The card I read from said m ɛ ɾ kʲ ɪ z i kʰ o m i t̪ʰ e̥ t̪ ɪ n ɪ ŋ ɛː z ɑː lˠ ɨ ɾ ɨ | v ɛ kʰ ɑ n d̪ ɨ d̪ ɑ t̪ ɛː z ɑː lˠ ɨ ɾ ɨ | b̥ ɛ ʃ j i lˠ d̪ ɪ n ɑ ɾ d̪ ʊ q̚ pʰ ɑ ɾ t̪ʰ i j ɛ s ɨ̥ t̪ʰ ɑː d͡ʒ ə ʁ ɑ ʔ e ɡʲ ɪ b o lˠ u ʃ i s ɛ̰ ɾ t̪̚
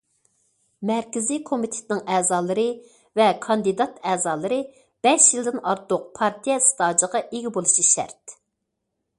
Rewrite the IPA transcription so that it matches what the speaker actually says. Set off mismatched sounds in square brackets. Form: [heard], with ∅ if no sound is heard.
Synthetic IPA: m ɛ ɾ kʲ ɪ z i kʰ o m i t̪ʰ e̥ t̪ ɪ n ɪ ŋ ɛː z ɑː lˠ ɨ ɾ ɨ | v ɛ kʰ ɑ n d̪ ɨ d̪ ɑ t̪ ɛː z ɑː lˠ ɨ ɾ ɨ | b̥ ɛ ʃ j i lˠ d̪ ɪ n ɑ ɾ [t̪] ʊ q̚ pʰ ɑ ɾ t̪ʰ i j ɛ s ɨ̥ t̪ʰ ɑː d͡ʒ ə ʁ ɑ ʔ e ɡʲ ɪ b o lˠ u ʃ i [ʃ] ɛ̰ ɾ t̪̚